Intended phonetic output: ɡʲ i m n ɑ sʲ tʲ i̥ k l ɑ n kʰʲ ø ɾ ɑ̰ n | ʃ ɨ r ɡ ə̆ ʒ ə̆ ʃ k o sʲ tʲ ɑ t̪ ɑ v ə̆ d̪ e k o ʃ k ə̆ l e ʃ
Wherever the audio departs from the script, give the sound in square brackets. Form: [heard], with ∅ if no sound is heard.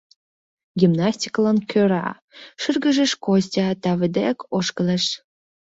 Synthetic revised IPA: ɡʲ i m n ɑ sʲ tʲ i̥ k l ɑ n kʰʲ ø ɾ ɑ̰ [∅] | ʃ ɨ r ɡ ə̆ ʒ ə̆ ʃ k o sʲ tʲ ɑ t̪ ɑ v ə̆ d̪ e k o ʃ k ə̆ l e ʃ